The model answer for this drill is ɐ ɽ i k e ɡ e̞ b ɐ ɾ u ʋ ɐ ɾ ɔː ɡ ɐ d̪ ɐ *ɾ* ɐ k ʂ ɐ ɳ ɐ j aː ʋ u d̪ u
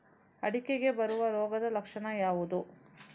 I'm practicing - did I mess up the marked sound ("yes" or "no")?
yes